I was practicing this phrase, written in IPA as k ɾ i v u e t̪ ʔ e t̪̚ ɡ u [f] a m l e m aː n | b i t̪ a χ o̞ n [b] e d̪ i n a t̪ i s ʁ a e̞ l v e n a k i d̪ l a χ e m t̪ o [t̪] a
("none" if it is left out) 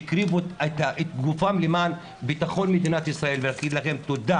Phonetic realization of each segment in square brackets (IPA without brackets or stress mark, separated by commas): f, m, d̪